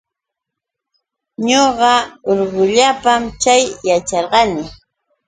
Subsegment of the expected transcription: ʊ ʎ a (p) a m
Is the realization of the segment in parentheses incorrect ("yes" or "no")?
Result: no